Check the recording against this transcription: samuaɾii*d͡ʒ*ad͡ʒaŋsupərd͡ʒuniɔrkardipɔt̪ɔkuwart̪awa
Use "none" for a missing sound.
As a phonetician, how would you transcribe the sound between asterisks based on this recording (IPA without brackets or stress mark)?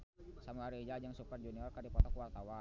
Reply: d͡ʒ